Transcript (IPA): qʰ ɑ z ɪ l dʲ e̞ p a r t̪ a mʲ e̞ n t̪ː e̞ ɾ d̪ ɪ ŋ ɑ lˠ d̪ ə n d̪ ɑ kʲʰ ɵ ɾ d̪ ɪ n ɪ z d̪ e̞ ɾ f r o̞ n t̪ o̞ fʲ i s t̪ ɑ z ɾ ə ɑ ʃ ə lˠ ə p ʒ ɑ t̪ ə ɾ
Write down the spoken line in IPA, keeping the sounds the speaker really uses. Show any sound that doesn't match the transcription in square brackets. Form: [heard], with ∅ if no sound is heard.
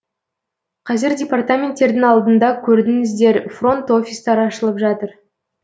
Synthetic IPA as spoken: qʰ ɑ z ɪ [ɾ] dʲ e̞ p a r t̪ a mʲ e̞ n t̪ː e̞ ɾ d̪ ɪ ŋ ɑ lˠ d̪ ə n d̪ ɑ kʲʰ ɵ ɾ d̪ ɪ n ɪ z d̪ e̞ ɾ f r o̞ n t̪ o̞ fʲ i s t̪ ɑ [∅] ɾ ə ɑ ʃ ə lˠ ə p ʒ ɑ t̪ ə ɾ